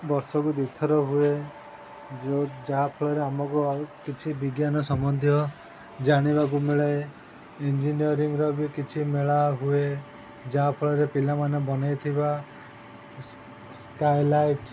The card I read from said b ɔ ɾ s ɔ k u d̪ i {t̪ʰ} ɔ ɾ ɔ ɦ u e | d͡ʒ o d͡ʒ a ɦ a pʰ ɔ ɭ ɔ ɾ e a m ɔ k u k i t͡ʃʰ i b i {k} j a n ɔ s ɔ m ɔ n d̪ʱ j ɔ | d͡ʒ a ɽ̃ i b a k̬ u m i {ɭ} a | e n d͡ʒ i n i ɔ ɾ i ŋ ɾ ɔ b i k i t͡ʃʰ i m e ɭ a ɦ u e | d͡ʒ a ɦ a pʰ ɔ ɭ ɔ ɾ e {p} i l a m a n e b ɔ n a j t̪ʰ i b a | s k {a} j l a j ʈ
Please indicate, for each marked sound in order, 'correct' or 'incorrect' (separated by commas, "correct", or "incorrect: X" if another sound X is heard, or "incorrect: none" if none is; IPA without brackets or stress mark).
correct, incorrect: ɡ, correct, correct, correct